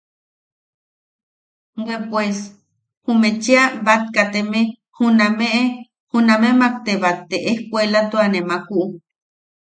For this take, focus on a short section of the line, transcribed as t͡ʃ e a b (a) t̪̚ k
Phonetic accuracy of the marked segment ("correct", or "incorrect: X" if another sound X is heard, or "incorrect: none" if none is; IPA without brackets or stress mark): correct